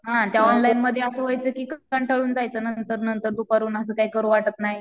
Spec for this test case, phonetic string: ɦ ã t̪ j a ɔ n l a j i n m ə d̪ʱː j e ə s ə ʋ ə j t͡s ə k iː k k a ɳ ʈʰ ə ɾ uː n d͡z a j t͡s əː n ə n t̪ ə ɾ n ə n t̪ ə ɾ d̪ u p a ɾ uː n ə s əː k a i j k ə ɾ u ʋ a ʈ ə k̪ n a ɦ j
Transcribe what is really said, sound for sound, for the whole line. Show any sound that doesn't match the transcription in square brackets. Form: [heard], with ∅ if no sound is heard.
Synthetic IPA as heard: ɦ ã t̪ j a ɔ n l a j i n m ə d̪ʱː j e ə s ə ʋ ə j t͡s ə k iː k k a ɳ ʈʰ ə [ɭ] uː n d͡z a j t͡s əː n ə n t̪ ə ɾ n ə n t̪ ə ɾ d̪ u p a ɾ uː n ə s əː k a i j k ə ɾ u ʋ a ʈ ə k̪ n a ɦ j

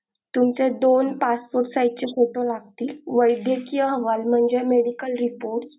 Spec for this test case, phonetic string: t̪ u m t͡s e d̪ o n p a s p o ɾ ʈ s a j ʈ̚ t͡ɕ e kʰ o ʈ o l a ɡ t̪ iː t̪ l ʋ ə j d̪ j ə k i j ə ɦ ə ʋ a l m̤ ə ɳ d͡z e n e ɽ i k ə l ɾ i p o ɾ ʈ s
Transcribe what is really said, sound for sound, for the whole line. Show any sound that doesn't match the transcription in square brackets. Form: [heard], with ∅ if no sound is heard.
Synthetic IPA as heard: t̪ u m t͡s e d̪ o n p a s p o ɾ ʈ s a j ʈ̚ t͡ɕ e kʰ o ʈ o l a ɡ t̪ iː [∅] l ʋ ə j d̪ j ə k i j ə ɦ ə ʋ a l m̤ ə ɳ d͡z e [m] e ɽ i k ə l ɾ i p o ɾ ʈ s

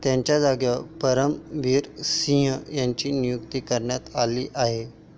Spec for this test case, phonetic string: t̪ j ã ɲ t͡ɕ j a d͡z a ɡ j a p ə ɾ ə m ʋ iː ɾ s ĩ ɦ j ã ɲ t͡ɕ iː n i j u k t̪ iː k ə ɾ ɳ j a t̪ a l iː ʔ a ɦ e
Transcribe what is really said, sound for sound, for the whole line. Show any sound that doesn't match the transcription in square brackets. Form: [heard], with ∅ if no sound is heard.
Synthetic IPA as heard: t̪ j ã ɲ t͡ɕ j a d͡z a ɡ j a p ə ɾ ə m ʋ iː ɾ s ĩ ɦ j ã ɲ t͡ɕ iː n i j u k t̪ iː k ə ɾ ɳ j a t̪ a l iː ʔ a ɦ e

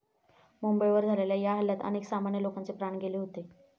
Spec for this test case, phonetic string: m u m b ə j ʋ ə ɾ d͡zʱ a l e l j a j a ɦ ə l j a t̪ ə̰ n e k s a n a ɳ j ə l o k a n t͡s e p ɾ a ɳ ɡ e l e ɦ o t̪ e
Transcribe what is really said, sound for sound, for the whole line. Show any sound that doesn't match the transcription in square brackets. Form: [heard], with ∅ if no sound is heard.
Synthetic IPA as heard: m u m b ə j ʋ ə ɾ d͡zʱ a l e l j a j a ɦ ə l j a t̪ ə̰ n e k s a [m] a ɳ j ə l o k a n t͡s e p ɾ a ɳ ɡ e l e ɦ o t̪ e

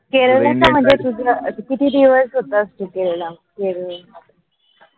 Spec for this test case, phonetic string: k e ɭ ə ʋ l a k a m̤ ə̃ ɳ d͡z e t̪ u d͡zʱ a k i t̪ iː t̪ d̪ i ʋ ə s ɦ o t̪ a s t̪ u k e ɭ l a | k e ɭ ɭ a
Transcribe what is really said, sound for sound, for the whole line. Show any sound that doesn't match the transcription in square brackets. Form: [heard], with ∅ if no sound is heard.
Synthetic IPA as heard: k e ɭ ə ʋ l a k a m̤ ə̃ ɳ d͡z e t̪ u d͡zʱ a k i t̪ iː [∅] d̪ i ʋ ə s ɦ o t̪ a s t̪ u k e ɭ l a | k e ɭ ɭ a

